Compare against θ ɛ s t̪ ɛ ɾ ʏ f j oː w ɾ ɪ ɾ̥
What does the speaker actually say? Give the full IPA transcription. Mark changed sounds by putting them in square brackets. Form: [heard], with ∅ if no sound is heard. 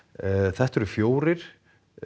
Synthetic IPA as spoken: θ ɛ [h] t̪ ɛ ɾ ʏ f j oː w ɾ ɪ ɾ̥